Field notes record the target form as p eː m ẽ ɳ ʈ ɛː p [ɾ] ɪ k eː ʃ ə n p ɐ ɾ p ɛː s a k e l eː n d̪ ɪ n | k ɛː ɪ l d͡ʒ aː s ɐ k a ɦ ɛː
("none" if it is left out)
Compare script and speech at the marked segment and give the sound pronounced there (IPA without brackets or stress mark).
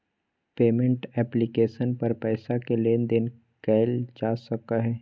l